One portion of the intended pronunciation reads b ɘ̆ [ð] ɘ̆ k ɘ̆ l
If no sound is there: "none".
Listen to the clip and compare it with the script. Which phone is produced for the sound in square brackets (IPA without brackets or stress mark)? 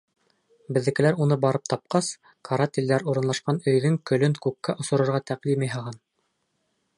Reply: ðː